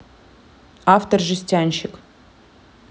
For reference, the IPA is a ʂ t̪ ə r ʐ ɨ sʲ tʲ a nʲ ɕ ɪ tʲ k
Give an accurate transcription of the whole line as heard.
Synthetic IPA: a f t̪ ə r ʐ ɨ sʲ tʲ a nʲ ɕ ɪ k